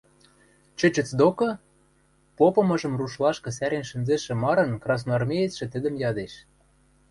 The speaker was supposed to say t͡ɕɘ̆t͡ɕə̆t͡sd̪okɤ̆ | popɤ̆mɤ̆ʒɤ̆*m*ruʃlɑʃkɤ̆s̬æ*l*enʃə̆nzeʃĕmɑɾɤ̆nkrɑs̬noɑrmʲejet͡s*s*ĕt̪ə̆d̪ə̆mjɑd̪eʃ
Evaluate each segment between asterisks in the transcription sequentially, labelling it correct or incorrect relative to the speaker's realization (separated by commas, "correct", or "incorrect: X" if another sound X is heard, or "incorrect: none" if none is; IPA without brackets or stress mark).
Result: correct, incorrect: ɾ, incorrect: ʃ